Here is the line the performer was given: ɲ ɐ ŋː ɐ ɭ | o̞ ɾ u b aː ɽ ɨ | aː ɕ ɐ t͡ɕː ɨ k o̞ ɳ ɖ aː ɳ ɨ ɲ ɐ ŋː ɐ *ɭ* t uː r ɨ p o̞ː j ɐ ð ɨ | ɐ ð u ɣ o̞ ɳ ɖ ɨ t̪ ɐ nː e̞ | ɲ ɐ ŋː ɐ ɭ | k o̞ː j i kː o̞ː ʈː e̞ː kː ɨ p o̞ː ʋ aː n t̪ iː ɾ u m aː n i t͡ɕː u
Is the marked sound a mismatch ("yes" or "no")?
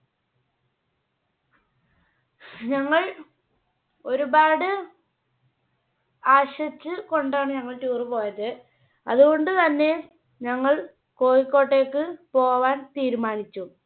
no